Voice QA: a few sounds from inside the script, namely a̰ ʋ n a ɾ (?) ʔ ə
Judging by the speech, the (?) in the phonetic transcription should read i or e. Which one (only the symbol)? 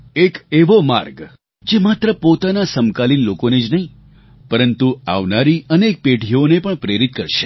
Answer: i